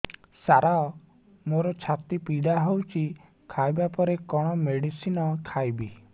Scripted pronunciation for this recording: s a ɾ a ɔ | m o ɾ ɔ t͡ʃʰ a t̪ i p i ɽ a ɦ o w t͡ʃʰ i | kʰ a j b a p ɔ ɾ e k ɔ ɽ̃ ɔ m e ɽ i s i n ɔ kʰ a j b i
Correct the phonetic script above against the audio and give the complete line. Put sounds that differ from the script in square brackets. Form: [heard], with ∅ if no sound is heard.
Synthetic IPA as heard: s a ɾ a ɔ | m o ɾ ɔ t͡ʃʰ a t̪ i p i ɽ a ɦ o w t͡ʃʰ i | kʰ a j b a p ɔ ɾ e k ɔ ɽ̃ ɔ m e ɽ i s i n ɔ kʰ a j b i

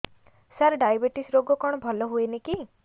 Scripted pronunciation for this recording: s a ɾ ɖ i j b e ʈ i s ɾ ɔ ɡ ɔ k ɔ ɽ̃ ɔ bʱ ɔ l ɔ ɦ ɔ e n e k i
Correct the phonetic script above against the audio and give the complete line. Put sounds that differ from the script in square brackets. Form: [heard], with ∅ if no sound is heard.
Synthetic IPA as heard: s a ɾ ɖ [a] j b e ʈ i s ɾ [o] ɡ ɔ k ɔ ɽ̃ ɔ bʱ ɔ l ɔ ɦ [u] e n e k i

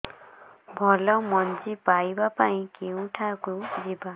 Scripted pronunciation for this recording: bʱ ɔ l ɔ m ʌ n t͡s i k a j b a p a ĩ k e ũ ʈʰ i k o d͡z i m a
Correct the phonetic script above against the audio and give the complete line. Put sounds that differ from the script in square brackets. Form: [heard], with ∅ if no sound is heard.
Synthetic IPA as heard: bʱ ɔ l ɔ m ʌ n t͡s i [p] a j b a p a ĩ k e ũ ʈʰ [a] k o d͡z i [b] a

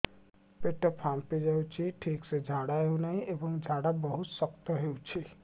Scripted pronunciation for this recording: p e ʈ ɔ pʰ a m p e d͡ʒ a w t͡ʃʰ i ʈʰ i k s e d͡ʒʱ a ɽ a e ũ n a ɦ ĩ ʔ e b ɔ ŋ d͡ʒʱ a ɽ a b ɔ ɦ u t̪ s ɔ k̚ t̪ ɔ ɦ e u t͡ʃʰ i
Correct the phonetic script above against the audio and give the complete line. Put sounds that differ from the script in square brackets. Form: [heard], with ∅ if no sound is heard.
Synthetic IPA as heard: p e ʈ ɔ pʰ a m p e d͡ʒ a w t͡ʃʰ i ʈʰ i k s e d͡ʒʱ a ɽ a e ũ n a ɦ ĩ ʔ e b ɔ ŋ d͡ʒʱ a ɽ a b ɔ ɦ u t̪ s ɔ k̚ t̪ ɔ ɦ e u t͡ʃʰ i

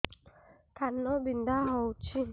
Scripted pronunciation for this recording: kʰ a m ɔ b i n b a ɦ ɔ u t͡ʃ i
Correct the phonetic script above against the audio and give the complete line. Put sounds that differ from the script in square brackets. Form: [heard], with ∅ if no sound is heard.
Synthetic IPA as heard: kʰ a [n] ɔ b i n [d] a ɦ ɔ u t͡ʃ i

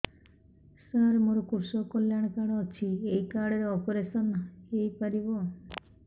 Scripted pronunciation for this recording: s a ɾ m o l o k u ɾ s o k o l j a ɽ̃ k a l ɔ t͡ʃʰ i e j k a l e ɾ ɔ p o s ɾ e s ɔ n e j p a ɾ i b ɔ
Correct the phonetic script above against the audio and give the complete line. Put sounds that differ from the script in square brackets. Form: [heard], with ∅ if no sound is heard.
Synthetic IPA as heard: s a ɾ m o [ɾ] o k u ɾ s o k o l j a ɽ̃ k a [ɽ] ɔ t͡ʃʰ i e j k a [ɽ] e ɾ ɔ p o [∅] ɾ e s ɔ n e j p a ɾ i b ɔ

